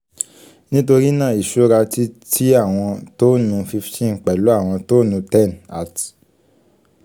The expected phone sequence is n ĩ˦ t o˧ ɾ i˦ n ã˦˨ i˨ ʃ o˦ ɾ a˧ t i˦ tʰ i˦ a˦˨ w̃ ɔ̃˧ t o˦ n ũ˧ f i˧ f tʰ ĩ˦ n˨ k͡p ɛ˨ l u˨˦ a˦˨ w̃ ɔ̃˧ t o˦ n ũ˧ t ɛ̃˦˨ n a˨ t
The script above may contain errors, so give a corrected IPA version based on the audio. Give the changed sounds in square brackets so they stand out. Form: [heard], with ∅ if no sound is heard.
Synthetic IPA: n ĩ˦ t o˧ ɾ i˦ n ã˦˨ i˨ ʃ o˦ ɾ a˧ t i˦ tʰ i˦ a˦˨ w̃ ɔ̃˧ t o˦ n ũ˧ f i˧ f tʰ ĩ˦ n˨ k͡p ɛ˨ l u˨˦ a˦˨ w̃ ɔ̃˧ t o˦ n ũ˧ t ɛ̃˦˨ n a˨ t